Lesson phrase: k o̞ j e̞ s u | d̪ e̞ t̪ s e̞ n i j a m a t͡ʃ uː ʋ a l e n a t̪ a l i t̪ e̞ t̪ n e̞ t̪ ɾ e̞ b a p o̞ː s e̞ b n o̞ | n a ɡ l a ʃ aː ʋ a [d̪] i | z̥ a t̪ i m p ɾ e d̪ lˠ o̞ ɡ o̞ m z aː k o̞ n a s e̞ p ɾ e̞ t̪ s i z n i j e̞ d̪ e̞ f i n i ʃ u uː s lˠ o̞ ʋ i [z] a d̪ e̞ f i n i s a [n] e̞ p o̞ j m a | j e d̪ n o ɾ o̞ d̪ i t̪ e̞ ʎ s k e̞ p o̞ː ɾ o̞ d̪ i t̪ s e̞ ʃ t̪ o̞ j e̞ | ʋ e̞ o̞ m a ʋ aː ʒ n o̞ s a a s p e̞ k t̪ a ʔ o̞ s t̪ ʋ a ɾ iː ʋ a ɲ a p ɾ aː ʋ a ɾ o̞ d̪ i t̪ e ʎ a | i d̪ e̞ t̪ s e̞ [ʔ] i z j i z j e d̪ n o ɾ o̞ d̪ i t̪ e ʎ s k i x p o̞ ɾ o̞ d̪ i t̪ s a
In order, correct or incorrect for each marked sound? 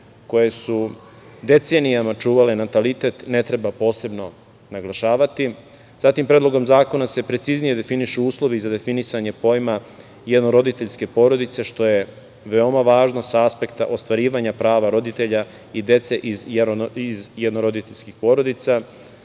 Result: incorrect: t̪, correct, incorrect: ɲ, correct

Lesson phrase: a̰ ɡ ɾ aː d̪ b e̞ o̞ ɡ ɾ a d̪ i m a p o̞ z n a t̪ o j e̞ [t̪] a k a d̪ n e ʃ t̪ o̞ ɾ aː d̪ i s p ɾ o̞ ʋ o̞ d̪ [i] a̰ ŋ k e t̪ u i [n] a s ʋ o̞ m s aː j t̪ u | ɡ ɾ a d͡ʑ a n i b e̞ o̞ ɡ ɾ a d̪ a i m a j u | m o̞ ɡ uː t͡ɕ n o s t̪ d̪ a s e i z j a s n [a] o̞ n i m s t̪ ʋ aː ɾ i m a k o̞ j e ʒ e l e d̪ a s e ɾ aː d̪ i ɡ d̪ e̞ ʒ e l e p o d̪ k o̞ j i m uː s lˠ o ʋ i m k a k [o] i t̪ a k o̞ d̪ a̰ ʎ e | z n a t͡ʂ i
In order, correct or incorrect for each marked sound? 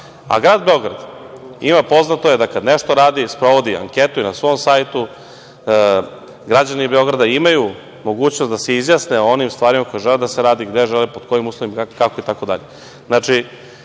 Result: incorrect: d̪, correct, correct, incorrect: e, correct

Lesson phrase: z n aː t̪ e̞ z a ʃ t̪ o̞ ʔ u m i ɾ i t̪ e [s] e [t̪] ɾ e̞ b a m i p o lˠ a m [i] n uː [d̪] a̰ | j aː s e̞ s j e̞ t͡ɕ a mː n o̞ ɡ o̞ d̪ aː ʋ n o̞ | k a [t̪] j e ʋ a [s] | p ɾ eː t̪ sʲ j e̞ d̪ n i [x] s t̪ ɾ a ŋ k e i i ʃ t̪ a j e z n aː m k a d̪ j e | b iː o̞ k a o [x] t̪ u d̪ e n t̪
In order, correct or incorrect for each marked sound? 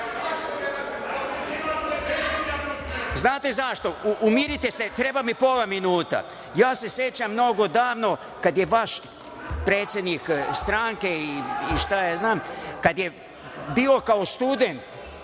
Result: correct, correct, correct, incorrect: t̪, incorrect: d̪, incorrect: ʃ, incorrect: k, incorrect: s

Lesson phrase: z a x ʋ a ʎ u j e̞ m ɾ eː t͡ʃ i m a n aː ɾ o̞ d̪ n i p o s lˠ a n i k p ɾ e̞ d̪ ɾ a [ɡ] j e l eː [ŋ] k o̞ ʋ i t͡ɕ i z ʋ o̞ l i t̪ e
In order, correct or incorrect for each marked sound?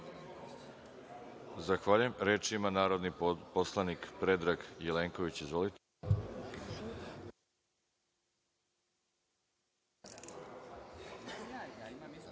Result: correct, correct

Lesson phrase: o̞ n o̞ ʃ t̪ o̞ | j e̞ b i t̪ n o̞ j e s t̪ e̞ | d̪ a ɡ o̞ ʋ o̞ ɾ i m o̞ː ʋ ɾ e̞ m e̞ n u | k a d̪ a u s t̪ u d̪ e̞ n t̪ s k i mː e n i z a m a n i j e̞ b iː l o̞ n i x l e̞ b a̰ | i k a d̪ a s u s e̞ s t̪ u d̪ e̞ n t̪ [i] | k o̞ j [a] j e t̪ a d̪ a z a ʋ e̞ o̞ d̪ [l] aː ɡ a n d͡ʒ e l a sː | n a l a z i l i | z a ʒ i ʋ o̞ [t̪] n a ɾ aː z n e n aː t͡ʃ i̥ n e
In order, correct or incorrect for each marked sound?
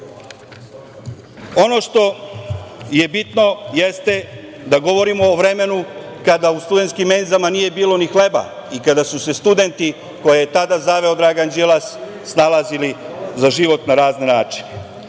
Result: correct, incorrect: e, incorrect: ɾ, correct

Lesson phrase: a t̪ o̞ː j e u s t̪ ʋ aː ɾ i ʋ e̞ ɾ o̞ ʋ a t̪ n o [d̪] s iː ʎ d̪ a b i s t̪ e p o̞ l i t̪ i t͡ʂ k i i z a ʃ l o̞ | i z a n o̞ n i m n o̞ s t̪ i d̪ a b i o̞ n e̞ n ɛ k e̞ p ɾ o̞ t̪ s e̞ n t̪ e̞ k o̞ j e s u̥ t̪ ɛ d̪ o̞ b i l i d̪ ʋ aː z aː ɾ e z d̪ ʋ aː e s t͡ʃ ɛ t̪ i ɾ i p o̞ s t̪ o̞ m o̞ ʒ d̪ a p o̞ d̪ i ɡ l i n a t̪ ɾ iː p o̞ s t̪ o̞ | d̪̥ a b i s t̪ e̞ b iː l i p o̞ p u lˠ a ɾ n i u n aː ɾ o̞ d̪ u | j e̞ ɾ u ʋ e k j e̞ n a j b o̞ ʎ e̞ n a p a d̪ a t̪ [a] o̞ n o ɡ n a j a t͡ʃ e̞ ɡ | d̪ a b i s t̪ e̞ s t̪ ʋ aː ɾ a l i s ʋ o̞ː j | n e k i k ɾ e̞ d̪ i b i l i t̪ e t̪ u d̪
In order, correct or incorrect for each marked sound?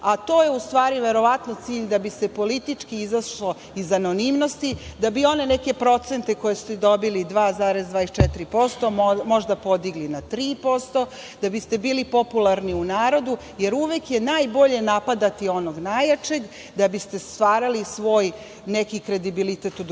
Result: incorrect: t̪, incorrect: i

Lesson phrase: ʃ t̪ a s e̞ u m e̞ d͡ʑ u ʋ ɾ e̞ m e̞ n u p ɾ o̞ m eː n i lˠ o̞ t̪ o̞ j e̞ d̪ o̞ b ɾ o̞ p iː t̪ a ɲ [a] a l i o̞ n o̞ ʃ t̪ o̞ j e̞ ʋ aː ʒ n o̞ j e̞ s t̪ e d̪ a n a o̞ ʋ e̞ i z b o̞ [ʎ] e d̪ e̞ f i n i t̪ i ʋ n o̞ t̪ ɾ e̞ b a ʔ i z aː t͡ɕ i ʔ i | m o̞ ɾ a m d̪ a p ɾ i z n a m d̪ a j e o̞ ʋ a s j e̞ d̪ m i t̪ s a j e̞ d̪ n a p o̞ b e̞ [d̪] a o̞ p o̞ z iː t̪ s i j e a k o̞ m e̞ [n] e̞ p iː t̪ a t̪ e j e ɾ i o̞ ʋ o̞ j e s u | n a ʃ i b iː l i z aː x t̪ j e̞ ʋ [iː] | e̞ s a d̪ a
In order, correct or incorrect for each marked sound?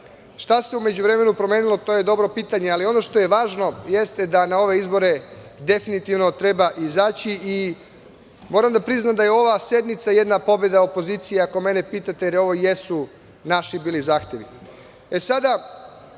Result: incorrect: e, incorrect: ɾ, correct, correct, incorrect: i

